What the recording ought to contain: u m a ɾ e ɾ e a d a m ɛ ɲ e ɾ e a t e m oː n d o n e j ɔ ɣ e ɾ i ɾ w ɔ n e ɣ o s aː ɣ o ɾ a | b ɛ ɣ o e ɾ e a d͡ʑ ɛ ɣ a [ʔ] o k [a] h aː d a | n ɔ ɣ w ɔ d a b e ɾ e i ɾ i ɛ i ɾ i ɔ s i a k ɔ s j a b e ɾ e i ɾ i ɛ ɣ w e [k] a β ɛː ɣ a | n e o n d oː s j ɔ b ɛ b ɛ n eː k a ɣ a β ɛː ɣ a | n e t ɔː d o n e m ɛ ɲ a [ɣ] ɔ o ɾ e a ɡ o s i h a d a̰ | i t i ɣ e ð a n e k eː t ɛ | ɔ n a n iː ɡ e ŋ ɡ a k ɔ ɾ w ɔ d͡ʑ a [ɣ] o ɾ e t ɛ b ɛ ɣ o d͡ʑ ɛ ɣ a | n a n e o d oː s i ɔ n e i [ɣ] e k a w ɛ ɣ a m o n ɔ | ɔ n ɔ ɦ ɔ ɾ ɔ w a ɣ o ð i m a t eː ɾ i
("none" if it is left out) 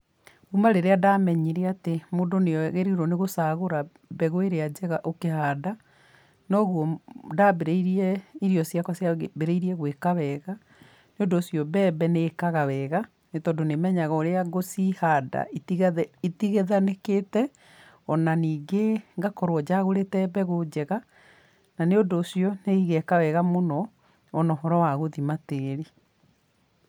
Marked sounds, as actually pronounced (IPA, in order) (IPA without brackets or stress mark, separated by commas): ʔ, e, k, ɣ, ɣ, ɣ